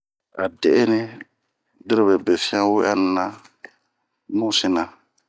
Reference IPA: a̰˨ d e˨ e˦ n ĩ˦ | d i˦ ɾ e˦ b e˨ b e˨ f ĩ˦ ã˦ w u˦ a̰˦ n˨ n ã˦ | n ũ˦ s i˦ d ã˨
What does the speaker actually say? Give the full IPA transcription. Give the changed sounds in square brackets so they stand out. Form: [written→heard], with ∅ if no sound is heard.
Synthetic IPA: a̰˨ d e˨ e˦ n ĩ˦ | d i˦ ɾ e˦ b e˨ b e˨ f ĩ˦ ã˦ w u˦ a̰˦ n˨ n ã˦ | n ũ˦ s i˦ [d→n] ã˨